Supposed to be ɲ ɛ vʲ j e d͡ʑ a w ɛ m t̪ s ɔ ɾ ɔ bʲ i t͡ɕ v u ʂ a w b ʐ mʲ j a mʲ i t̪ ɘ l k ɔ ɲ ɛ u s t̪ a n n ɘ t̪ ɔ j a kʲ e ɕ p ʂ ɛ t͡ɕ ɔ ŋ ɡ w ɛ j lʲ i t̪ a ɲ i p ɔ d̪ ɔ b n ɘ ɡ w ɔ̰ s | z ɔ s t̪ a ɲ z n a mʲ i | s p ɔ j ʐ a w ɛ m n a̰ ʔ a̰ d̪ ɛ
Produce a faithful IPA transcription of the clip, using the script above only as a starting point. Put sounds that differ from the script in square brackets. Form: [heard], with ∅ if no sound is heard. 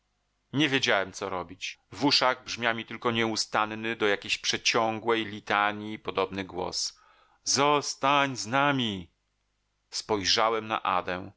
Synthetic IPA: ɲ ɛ vʲ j e d͡ʑ a w ɛ m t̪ s ɔ ɾ ɔ bʲ i t͡ɕ v u ʂ a [ɣ] b ʐ mʲ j a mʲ i t̪ ɘ l k ɔ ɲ ɛ u s t̪ a n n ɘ [d̪] ɔ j a kʲ e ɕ p ʂ ɛ t͡ɕ ɔ ŋ ɡ w ɛ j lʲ i t̪ a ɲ i p ɔ d̪ ɔ b n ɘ ɡ w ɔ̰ s | z ɔ s t̪ a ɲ z n a mʲ i | s p ɔ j ʐ a w ɛ m n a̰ ʔ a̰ d̪ ɛ